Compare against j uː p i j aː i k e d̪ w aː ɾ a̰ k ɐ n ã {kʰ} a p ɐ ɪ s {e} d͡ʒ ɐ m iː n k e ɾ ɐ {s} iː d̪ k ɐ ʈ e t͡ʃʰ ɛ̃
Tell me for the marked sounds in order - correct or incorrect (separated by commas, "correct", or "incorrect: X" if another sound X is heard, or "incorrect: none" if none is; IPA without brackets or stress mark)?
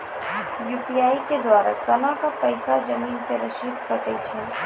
incorrect: k, incorrect: a, incorrect: ʃ